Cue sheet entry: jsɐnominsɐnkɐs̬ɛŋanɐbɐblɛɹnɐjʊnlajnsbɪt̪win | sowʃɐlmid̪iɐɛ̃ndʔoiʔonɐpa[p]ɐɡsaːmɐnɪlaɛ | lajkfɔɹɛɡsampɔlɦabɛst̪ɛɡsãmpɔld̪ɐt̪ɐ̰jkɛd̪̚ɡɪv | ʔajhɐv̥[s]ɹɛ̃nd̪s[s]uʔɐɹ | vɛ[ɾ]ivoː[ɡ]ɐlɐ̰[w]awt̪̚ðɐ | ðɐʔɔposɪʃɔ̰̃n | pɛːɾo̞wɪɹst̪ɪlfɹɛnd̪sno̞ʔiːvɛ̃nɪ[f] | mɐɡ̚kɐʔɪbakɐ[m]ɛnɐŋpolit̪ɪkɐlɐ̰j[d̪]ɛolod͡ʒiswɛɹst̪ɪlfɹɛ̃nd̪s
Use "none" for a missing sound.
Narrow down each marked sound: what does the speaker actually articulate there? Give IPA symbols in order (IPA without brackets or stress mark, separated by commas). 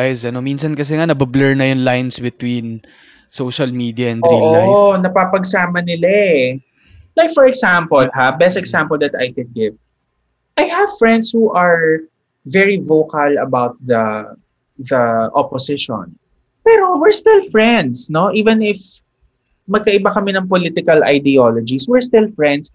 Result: p, f, h, ɹ, k, b, f, m, d̪